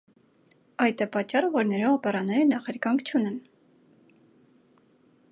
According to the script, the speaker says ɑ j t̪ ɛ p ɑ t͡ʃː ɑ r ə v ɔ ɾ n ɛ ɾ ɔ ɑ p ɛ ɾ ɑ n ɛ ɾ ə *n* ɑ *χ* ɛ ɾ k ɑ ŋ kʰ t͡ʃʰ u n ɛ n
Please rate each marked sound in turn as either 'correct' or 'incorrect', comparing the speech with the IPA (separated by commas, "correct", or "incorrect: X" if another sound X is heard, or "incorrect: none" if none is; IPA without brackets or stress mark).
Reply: correct, correct